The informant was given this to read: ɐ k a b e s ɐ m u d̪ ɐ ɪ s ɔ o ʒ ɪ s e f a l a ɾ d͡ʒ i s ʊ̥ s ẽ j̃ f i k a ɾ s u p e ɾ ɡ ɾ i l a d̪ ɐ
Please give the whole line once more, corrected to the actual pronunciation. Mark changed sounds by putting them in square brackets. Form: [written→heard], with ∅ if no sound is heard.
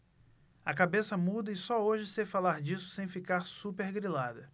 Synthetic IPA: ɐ k a b e s ɐ m u d̪ ɐ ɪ s ɔ o ʒ ɪ s e f a l a ɾ d͡ʒ i s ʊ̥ s ẽ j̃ f i k a ɾ s u p e ɾ ɡ ɾ i l a d̪ ɐ